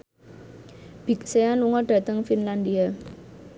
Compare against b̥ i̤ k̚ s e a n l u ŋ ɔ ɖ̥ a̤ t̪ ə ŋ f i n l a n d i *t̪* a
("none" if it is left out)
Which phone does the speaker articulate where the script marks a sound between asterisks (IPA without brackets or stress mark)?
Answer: none